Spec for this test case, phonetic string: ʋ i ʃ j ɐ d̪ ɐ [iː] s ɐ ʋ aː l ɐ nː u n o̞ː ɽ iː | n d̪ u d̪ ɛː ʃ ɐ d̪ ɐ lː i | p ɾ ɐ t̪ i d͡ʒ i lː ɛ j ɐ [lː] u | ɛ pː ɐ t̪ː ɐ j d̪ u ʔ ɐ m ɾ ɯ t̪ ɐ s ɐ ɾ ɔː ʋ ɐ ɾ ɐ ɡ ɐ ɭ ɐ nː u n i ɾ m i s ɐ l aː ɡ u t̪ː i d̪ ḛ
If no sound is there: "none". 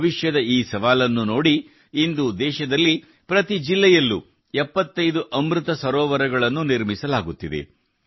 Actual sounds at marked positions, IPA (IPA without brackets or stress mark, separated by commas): iː, lː